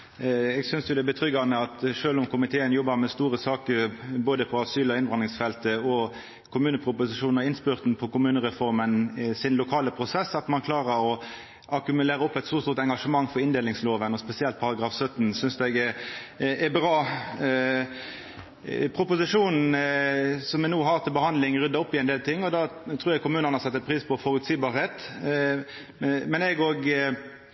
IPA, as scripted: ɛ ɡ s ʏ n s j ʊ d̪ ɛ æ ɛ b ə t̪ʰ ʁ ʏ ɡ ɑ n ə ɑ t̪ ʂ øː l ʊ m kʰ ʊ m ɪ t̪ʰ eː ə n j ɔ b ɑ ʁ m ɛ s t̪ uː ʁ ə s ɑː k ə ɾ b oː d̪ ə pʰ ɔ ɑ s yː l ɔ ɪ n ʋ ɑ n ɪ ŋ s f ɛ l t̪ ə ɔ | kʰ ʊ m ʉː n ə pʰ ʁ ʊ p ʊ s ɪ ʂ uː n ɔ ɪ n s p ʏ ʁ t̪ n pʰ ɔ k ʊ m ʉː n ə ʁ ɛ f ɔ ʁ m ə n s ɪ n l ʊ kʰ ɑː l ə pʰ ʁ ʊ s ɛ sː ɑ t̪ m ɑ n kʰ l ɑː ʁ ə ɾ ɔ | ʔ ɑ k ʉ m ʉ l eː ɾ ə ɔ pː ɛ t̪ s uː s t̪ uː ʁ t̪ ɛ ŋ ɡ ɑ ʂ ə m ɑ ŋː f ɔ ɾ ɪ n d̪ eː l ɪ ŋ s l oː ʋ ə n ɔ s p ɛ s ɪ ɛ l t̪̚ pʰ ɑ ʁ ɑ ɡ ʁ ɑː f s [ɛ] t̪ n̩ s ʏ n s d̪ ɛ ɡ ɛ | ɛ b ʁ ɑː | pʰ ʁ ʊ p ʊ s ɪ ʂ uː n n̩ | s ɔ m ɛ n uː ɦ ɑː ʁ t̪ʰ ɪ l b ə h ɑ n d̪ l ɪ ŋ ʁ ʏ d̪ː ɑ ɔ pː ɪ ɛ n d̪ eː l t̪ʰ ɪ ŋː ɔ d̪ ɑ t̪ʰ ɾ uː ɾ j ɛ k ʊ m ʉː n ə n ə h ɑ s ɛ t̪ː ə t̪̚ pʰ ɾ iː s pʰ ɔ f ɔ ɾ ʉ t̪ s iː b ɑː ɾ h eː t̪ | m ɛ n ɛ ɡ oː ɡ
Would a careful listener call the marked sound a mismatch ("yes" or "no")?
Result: yes